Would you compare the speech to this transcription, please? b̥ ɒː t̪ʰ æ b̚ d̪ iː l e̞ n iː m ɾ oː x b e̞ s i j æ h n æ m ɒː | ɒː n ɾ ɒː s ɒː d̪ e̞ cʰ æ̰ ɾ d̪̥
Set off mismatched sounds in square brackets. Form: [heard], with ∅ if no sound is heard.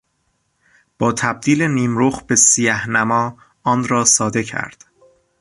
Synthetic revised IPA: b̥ ɒː t̪ʰ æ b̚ d̪ iː l e̞ n iː m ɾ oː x b e̞ s i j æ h n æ m ɒː | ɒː n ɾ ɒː s ɒː d̪ e̞ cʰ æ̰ ɾ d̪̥